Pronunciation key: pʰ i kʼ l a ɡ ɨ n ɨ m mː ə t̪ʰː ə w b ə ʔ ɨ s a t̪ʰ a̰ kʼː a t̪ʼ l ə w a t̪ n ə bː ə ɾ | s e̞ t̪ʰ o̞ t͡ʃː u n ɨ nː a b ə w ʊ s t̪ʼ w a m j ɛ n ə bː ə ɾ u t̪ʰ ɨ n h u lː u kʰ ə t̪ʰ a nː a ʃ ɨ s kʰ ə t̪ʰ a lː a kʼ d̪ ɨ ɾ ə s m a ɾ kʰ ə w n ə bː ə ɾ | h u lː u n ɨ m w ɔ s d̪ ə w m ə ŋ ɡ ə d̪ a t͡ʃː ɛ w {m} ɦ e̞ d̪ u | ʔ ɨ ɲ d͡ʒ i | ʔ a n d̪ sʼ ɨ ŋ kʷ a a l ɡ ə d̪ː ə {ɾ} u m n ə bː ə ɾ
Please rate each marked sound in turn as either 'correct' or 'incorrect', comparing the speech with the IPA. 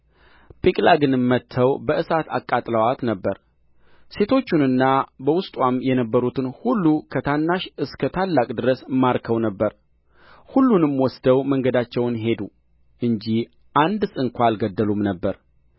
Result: incorrect: n, incorrect: l

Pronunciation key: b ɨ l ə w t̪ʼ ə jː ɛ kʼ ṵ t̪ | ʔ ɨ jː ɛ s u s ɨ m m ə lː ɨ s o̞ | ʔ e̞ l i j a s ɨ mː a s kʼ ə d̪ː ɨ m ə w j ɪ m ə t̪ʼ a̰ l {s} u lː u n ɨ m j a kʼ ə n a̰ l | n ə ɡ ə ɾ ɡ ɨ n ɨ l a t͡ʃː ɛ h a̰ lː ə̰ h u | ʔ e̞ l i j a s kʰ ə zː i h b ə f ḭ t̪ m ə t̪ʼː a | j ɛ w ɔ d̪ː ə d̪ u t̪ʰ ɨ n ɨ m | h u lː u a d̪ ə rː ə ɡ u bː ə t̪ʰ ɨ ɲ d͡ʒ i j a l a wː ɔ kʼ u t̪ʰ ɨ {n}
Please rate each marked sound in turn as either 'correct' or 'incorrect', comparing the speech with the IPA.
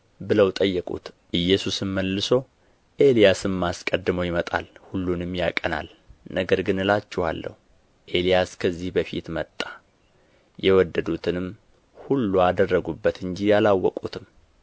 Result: incorrect: h, incorrect: m

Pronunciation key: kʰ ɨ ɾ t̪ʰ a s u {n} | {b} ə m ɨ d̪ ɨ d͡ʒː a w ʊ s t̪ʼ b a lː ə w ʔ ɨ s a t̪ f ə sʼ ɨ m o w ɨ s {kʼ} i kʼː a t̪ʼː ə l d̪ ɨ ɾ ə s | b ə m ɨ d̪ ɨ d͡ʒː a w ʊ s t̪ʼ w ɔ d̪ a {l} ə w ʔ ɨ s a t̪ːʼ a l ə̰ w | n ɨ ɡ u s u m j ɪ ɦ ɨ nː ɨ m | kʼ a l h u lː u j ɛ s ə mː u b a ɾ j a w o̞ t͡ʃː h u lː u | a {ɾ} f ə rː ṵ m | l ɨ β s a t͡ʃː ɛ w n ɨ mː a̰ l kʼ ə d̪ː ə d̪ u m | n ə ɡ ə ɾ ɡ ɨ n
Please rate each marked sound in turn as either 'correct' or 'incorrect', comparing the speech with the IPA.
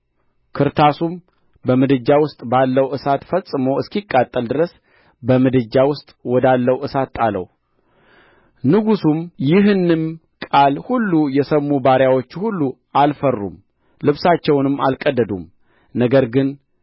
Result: incorrect: m, correct, incorrect: k, incorrect: lː, incorrect: l

